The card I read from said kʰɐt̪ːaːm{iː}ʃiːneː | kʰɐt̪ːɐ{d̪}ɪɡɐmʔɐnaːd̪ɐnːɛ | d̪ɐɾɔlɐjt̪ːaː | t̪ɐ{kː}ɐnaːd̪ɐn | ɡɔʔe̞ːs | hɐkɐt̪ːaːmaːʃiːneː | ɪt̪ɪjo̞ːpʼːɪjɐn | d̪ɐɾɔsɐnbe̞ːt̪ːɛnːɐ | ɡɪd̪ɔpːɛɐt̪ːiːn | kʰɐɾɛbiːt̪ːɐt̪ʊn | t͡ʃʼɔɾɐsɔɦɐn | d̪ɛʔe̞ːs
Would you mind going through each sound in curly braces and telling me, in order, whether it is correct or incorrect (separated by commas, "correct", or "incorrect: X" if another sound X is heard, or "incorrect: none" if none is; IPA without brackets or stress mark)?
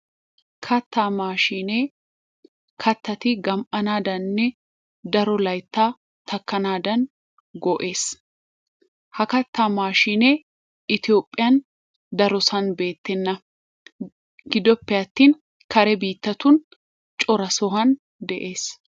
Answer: incorrect: aː, incorrect: t̪, correct